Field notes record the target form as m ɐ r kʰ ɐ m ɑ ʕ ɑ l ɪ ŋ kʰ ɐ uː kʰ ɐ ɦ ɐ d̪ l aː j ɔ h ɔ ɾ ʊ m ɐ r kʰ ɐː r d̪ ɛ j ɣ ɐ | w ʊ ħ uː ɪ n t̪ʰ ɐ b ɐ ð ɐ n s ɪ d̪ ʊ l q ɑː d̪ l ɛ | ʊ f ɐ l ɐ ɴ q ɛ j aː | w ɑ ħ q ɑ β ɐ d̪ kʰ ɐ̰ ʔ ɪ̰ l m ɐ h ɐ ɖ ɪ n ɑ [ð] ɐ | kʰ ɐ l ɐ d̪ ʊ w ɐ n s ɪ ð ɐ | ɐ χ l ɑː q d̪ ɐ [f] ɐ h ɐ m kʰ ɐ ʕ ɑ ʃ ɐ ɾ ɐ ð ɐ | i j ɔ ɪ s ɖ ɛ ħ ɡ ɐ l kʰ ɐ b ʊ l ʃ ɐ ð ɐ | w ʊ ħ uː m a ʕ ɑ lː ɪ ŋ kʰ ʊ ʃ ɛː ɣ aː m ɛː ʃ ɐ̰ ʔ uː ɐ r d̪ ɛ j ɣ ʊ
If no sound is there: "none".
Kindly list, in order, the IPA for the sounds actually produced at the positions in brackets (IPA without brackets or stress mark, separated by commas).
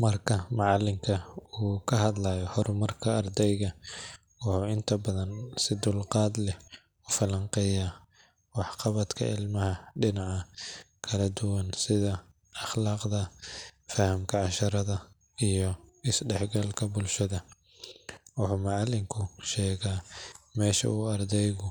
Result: ʕ, f